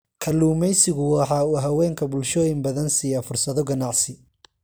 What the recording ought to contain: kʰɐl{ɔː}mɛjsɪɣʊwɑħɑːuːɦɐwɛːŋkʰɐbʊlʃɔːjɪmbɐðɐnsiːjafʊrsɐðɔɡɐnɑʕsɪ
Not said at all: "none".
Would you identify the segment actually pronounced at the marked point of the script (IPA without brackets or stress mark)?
uː